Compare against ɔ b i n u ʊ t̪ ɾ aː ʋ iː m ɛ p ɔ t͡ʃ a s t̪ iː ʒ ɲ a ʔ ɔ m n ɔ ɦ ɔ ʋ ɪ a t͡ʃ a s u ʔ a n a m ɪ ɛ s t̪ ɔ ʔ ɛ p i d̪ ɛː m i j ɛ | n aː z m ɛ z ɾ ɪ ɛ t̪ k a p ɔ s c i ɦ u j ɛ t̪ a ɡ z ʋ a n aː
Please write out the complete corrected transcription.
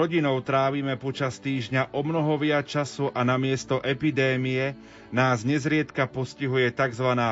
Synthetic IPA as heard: ɔ ɟ i n ɔ ʊ t̪ ɾ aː ʋ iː m ɛ p ɔ t͡ʃ a s t̪ iː ʒ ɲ a ʔ ɔ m n ɔ ɦ ɔ ʋ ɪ a t͡ʃ a s u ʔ a n a m ɪ ɛ s t̪ ɔ ʔ ɛ p i d̪ ɛː m i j ɛ | n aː z ɲ ɛ z ɾ ɪ ɛ t̪ k a p ɔ s c i ɦ u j ɛ t̪ a ɡ z ʋ a n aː